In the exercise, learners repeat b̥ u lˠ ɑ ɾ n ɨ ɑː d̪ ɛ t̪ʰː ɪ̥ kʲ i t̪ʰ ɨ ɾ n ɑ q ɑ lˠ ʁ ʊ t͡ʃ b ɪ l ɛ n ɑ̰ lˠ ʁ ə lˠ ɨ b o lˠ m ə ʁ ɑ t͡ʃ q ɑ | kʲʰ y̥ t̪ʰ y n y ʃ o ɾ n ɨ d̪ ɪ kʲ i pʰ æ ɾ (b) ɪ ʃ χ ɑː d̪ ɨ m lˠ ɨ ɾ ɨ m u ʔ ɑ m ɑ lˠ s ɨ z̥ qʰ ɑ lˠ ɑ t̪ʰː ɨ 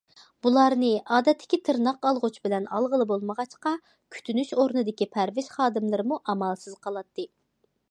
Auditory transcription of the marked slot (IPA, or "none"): v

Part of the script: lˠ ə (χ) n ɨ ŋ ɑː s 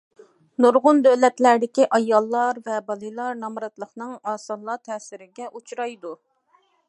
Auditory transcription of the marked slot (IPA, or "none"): χ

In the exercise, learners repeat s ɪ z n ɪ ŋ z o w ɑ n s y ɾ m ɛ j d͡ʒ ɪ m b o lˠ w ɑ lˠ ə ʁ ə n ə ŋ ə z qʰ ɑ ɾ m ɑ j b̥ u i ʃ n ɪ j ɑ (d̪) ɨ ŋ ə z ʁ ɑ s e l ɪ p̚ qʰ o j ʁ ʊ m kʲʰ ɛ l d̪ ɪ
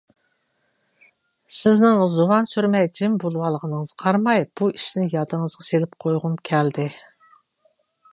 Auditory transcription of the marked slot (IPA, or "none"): d̪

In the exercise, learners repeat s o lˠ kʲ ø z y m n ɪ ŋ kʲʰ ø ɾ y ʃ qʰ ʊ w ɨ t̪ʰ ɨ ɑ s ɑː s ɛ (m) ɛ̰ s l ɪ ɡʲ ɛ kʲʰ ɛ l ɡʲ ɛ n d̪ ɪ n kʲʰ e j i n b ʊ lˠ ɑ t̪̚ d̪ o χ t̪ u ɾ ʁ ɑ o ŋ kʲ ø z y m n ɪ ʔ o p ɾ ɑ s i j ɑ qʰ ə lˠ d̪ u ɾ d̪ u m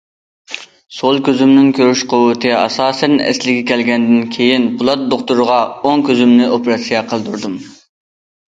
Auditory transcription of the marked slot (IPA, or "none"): n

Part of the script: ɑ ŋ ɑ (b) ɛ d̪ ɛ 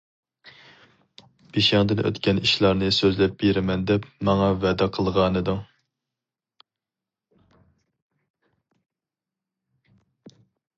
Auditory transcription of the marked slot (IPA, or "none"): v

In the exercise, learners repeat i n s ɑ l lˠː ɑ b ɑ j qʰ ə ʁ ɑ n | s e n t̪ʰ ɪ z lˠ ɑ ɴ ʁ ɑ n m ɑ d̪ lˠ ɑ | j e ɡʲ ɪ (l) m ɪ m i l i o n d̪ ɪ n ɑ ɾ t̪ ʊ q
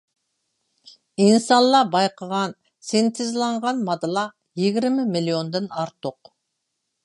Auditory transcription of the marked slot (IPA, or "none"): ɾ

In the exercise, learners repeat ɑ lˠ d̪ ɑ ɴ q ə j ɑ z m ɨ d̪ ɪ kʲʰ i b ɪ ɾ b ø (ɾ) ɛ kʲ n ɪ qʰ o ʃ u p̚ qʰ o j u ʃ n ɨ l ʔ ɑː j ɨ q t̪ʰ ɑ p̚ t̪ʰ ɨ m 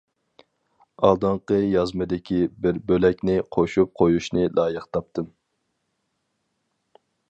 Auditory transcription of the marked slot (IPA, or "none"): l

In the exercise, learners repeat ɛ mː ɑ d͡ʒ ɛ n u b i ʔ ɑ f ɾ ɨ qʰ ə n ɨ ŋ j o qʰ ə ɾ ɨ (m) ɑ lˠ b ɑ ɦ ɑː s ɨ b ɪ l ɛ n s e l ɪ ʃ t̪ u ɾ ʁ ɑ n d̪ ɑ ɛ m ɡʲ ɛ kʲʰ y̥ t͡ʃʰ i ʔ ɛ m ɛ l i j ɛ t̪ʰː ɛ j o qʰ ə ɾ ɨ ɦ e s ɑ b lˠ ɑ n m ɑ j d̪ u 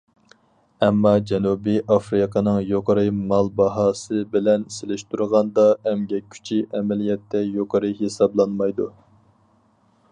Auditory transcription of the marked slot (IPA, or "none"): m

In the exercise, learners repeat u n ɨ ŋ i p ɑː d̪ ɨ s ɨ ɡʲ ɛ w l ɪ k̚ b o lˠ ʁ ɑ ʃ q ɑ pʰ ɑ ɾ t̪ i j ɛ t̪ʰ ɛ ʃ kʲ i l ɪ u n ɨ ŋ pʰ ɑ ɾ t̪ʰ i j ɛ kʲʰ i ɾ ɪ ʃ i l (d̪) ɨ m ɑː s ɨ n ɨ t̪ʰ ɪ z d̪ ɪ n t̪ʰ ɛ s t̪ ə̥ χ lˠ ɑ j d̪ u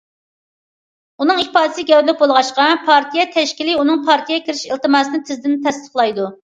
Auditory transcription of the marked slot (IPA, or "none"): t̪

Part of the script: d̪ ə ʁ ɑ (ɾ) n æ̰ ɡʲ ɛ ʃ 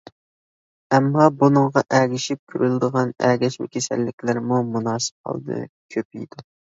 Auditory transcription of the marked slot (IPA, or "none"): none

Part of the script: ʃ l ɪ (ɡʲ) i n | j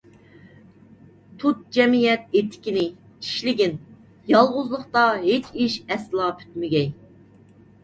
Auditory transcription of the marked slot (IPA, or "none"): ɡʲ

